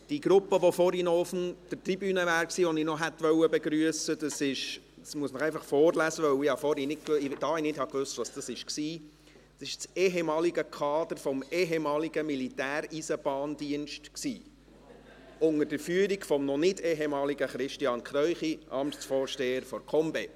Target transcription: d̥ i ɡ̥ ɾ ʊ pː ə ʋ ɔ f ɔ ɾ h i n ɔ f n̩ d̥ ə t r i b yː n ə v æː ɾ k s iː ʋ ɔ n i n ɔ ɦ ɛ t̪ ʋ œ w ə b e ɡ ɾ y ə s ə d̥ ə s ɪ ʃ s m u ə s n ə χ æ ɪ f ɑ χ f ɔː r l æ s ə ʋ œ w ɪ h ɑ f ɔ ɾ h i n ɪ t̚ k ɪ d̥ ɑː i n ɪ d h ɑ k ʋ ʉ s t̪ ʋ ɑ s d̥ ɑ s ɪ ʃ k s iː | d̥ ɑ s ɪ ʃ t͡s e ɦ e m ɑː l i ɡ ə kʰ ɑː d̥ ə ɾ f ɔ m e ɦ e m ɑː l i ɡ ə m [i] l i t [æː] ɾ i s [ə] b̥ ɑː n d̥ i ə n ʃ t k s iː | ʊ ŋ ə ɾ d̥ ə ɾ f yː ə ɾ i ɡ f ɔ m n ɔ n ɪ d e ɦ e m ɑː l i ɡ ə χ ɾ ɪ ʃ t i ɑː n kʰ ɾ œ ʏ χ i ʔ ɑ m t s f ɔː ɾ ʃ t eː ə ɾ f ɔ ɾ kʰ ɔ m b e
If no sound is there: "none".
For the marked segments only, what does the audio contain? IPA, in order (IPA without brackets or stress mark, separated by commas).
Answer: i, æː, ə